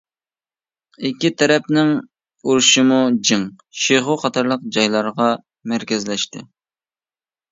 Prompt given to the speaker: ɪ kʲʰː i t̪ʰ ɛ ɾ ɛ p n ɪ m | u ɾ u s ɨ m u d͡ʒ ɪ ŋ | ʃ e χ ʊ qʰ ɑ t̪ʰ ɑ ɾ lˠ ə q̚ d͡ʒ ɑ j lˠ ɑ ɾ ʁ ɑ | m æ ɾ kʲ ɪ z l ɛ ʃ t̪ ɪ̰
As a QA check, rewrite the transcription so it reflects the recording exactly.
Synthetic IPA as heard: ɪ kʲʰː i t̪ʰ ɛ ɾ ɛ p n ɪ ŋ | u ɾ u ʃ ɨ m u d͡ʒ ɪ ŋ | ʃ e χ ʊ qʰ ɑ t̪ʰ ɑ ɾ lˠ ə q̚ d͡ʒ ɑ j lˠ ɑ ɾ ʁ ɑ | m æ ɾ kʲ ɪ z l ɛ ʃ t̪ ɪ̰

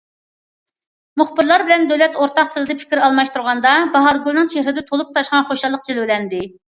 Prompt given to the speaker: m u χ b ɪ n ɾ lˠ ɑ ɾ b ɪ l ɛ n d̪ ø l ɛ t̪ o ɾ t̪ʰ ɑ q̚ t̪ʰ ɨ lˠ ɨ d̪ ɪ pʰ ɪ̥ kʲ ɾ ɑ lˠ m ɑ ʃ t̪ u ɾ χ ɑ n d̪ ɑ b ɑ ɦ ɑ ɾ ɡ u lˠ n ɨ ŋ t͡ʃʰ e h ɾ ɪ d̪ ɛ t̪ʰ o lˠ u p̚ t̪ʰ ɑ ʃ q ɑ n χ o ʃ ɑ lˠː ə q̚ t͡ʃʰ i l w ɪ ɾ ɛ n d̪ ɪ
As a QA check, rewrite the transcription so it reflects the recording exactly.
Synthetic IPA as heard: m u χ b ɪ ɾ lˠ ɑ ɾ b ɪ l ɛ n d̪ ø l ɛ t̪ o ɾ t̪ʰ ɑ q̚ t̪ʰ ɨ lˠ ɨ d̪ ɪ pʰ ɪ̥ kʲ ɾ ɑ lˠ m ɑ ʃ t̪ u ɾ ʁ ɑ n d̪ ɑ b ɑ ɦ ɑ ɾ ɡ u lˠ n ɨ ŋ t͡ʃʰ e h ɾ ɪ d̪ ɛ t̪ʰ o lˠ u p̚ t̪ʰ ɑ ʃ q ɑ n χ o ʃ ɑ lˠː ə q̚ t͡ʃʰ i l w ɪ l ɛ n d̪ ɪ

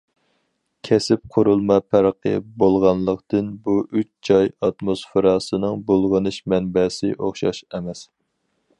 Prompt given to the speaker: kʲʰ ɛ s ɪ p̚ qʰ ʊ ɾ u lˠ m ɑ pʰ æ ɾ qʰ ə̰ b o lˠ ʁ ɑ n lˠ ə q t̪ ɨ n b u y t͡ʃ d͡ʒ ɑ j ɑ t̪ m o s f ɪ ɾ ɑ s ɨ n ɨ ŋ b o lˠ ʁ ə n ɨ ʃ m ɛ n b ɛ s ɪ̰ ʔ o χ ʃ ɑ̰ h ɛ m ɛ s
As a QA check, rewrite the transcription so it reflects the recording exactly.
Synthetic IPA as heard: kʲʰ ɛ s ɪ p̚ qʰ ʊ ɾ u lˠ m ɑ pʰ æ ɾ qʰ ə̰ b o lˠ ʁ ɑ n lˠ ə q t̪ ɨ n b u y t͡ʃ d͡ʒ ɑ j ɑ t̪ m o s f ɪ ɾ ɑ s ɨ n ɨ ŋ b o lˠ ʁ ə n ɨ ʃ m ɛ n b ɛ s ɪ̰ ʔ o χ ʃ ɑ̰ ʃ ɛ m ɛ s

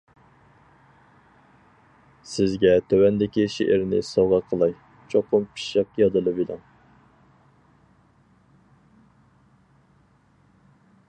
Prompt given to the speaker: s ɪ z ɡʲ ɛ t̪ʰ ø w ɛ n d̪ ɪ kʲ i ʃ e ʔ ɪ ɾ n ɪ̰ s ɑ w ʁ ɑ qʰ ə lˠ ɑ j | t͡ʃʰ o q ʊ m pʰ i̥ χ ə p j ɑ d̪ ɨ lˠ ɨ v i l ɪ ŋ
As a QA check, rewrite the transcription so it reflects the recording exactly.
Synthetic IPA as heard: s ɪ z ɡʲ ɛ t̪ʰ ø w ɛ n d̪ ɪ kʲ i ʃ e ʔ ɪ ɾ n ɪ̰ s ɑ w ʁ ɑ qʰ ə lˠ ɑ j | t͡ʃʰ o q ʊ m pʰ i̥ ʃ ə q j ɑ d̪ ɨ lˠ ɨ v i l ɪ ŋ

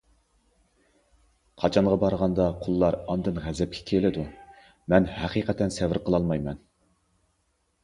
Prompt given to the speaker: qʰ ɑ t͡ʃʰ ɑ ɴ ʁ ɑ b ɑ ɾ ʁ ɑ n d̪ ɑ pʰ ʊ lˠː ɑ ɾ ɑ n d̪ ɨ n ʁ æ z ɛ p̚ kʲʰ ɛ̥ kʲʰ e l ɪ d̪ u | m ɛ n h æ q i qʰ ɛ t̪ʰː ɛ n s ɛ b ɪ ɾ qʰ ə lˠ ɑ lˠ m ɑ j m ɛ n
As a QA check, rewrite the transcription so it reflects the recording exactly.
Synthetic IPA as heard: qʰ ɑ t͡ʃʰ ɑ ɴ ʁ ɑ b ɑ ɾ ʁ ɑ n d̪ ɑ qʰ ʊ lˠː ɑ ɾ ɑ n d̪ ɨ n ʁ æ z ɛ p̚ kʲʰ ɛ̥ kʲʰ e l ɪ d̪ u | m ɛ n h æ q i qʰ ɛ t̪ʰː ɛ n s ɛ v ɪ ɾ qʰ ə lˠ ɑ lˠ m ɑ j m ɛ n

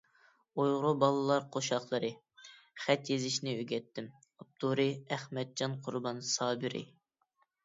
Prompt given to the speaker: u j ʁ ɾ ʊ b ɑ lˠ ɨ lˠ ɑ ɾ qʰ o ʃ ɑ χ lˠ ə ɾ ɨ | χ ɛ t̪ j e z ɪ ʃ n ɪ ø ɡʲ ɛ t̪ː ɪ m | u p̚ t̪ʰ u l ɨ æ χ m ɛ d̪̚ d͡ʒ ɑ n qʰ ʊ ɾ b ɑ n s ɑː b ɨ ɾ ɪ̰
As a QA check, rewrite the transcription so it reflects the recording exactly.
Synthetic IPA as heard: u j ʁ ɾ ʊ b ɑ lˠ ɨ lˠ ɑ ɾ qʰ o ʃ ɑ χ lˠ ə ɾ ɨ | χ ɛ t̪ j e z ɪ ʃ n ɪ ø ɡʲ ɛ t̪ː ɪ m | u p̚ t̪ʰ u ɾ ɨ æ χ m ɛ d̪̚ d͡ʒ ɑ n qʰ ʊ ɾ b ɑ n s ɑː b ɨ ɾ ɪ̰

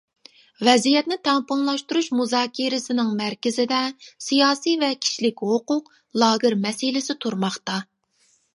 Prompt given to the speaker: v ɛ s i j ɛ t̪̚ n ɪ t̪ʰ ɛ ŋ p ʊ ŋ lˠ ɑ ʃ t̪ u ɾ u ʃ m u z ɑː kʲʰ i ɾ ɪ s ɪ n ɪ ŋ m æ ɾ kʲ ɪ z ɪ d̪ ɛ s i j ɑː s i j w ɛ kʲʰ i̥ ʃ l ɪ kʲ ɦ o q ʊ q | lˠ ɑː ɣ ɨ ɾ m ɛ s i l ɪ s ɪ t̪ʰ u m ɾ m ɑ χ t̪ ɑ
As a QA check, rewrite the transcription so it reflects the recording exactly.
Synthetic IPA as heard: v ɛ z i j ɛ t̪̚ n ɪ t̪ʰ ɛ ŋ p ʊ ŋ lˠ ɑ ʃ t̪ u ɾ u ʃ m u z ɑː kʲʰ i ɾ ɪ s ɪ n ɪ ŋ m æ ɾ kʲ ɪ z ɪ d̪ ɛ s i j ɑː s i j v ɛ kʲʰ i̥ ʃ l ɪ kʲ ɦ o q ʊ q | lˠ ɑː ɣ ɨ ɾ m ɛ s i l ɪ s ɪ t̪ʰ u ɾ m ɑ χ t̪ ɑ

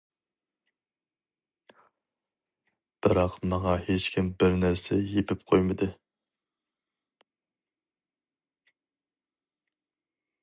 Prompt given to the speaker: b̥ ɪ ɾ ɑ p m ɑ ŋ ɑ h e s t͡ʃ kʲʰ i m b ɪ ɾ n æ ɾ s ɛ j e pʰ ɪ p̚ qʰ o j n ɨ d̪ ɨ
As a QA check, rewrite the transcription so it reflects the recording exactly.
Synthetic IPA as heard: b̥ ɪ ɾ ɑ q m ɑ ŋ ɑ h e t͡ʃ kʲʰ i m b ɪ ɾ n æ ɾ s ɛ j e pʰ ɪ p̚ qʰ o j m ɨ d̪ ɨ

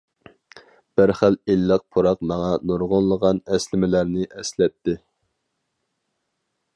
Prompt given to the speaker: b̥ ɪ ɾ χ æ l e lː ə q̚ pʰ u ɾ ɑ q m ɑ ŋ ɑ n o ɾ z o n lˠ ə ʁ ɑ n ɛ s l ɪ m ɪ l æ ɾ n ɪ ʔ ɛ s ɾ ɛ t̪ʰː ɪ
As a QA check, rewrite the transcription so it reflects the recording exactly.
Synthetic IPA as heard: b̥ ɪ ɾ χ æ l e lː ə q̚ pʰ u ɾ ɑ q m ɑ ŋ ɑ n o ɾ ʁ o n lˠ ə ʁ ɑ n ɛ s l ɪ m ɪ l æ ɾ n ɪ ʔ ɛ s l ɛ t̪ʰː ɪ

